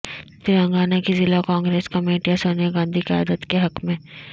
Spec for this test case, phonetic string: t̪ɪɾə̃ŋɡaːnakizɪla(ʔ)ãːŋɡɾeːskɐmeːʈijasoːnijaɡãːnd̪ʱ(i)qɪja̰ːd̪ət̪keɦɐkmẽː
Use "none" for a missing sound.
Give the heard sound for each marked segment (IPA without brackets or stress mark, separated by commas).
k, i